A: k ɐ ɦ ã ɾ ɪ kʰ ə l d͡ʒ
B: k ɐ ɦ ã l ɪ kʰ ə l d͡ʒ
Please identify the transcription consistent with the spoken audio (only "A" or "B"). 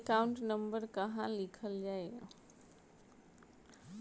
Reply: B